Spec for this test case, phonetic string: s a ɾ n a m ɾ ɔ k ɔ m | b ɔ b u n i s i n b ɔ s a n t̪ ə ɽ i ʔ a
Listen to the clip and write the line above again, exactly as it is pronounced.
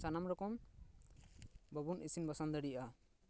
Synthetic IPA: s a n a m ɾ ɔ k ɔ m | b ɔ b u n i s i n b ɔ s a n d̪ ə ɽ i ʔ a

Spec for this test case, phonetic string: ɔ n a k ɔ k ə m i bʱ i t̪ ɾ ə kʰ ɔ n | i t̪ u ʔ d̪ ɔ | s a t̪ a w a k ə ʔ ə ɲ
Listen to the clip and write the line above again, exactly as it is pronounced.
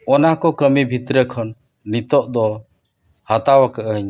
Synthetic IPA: ɔ n a k ɔ k ə m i bʱ i t̪ ɾ ə kʰ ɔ nː | i t̪ ɔ ʔ d̪ ɔ | h a t̪ a w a k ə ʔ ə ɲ

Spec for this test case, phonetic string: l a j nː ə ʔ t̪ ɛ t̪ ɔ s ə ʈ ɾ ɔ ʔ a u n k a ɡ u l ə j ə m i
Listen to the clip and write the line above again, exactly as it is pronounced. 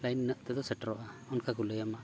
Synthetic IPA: l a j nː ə ʔ t̪ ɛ d̪ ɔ s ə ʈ ɾ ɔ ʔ a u n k a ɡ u l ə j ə m a

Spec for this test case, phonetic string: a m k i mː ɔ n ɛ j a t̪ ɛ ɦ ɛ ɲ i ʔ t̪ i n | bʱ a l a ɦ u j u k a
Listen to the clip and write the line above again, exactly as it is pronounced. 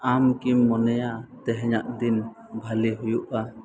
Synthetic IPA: a m k i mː ɔ n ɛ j a t̪ ɛ ɦ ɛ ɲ a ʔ d̪ i n | bʱ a l i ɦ u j u ʔ a

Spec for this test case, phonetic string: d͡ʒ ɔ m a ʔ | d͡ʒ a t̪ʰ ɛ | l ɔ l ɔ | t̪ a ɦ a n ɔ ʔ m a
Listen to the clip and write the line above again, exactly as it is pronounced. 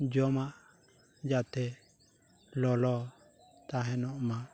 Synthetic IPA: d͡ʒ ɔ m a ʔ | d͡ʒ a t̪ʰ ɛ | l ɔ l ɔ | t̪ a ɦ ɛ n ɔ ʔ m a

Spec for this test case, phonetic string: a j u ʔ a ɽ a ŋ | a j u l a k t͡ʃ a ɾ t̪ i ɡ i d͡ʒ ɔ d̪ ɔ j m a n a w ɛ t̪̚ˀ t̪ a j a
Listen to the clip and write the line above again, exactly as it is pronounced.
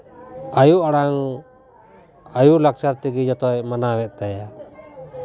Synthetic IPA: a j u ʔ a ɽ a ŋ | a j u l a k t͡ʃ a ɾ t̪ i ɡ i d͡ʒ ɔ t̪ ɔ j m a n a w ɛ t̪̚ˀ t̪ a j a

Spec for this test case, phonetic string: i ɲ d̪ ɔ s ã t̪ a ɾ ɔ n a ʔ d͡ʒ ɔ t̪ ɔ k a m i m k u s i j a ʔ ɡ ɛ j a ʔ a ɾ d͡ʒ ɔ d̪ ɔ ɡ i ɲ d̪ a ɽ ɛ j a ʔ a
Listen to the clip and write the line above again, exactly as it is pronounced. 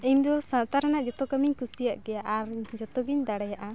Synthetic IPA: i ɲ d̪ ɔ s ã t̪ a ɾ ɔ n a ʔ d͡ʒ ɔ t̪ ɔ k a m i ɲ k u s i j a ʔ ɡ ɛ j a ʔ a ɾ d͡ʒ ɔ t̪ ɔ ɡ i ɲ d̪ a ɽ ɛ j a ʔ a

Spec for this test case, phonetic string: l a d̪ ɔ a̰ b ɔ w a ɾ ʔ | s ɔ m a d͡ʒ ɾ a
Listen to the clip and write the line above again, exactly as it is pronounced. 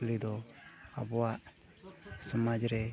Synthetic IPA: l i d̪ ɔ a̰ b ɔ w a ʔ | s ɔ m a d͡ʒ ɾ ɛ

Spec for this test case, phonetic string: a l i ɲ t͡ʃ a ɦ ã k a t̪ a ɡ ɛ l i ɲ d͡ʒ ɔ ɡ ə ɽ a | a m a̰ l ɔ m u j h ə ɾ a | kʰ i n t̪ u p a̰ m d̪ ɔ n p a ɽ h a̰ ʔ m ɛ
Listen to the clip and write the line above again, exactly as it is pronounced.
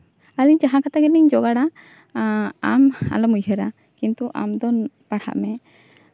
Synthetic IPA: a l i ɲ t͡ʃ a ɦ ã k a t̪ a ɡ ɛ l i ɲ d͡ʒ ɔ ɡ a ɽ a | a m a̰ l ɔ m u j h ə ɾ a | k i n t̪ u ʔ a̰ m d̪ ɔ n p a ɽ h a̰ ʔ m ɛ

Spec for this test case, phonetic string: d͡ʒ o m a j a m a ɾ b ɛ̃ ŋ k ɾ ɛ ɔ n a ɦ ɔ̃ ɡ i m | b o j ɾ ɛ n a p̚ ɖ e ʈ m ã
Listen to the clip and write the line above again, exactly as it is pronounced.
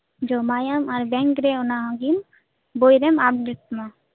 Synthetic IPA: d͡ʒ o m a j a m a ɾ b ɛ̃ ŋ k ɾ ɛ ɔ n a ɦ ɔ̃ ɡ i m | b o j ɾ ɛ m a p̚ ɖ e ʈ m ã

